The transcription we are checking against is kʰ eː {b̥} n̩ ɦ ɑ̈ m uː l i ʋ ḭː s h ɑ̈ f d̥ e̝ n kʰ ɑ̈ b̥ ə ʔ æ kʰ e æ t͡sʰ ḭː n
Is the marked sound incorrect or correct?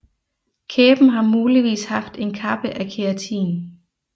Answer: correct